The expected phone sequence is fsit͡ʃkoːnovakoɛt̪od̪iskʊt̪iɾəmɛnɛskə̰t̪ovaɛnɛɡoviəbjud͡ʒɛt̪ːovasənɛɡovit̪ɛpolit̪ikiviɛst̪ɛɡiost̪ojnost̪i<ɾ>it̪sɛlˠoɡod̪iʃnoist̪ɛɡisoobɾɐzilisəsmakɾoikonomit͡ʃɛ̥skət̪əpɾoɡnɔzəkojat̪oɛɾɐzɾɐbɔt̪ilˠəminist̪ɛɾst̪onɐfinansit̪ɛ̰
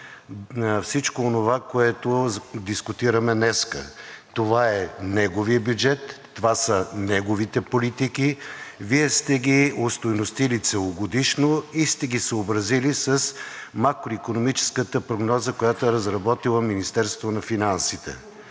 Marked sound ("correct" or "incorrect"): incorrect